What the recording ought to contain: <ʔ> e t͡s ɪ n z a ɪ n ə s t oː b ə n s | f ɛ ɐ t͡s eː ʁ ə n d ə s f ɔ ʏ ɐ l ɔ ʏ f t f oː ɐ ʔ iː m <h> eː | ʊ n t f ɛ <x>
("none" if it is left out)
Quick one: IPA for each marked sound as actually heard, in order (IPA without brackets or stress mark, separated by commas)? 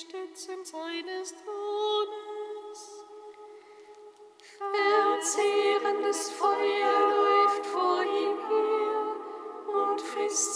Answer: t, h, s